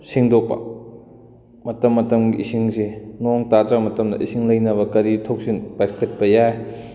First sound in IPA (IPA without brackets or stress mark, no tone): s